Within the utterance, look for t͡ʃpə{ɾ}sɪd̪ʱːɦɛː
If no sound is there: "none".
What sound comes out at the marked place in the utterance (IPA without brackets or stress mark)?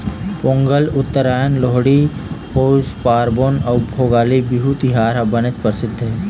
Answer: ɾ